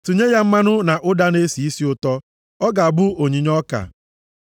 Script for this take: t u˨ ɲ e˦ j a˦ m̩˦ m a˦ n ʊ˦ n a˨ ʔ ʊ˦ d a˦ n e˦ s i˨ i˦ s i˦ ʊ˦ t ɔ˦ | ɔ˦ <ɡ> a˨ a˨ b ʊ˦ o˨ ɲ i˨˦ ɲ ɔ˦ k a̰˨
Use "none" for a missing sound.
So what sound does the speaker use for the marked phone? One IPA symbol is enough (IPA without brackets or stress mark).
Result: ɡ